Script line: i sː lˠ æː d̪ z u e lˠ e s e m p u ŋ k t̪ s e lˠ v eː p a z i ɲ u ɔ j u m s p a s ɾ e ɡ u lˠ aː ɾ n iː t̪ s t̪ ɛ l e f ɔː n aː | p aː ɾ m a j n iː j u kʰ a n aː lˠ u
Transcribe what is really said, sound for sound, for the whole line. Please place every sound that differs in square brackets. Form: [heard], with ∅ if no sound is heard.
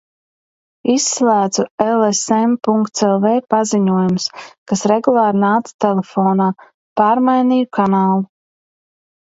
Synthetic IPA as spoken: i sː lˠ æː d̪ z u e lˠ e s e m p u ŋ k t̪ s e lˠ v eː p a z i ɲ u ɔ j u m s [k] a s ɾ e ɡ u lˠ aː ɾ n [aː] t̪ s t̪ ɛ l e f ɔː n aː | p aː ɾ m a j n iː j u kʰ a n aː lˠ u